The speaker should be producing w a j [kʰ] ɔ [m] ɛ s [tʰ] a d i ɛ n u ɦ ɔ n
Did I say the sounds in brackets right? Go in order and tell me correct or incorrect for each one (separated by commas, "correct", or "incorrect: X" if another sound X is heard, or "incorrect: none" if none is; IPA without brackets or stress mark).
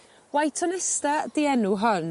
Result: incorrect: tʰ, incorrect: n, incorrect: t